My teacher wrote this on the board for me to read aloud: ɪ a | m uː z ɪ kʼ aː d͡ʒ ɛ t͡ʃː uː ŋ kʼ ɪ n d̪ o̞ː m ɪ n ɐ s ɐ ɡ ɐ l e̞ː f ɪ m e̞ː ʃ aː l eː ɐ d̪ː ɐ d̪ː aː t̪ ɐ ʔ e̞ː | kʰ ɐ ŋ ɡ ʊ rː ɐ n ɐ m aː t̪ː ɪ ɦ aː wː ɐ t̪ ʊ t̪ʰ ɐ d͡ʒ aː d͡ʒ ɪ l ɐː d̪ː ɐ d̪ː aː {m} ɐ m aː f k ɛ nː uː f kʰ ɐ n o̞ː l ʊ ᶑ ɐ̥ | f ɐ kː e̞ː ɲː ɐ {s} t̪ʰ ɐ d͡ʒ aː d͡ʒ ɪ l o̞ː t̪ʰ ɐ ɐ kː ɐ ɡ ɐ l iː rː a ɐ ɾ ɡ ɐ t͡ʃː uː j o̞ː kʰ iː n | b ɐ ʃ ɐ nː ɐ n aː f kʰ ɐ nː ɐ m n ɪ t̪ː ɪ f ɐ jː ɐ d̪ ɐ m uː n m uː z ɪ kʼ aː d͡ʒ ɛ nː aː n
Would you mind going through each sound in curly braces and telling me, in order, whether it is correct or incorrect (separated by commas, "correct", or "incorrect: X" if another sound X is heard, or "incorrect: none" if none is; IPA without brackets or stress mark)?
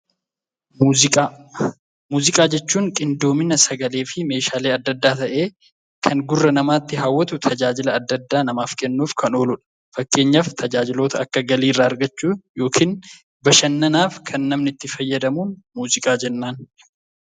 incorrect: n, incorrect: f